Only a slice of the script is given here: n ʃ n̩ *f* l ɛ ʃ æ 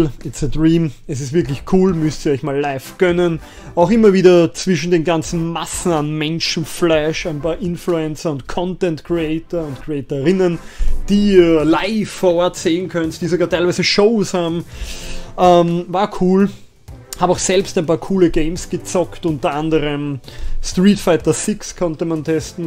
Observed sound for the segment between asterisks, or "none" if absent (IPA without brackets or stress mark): f